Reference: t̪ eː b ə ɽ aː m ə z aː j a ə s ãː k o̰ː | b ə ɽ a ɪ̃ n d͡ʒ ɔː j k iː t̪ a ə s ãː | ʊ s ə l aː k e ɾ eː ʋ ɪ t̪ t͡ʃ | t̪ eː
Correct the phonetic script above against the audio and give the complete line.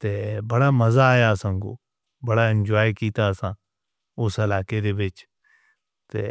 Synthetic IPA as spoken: t̪ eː b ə ɽ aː m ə z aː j a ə s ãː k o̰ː | b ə ɽ a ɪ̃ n d͡ʒ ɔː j k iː t̪ a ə s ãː | ʊ s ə l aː k e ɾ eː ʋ ɪ t͡ʃ | t̪ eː